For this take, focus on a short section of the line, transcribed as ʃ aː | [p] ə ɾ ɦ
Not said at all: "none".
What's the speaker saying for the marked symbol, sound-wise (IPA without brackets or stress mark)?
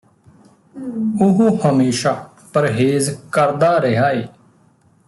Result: p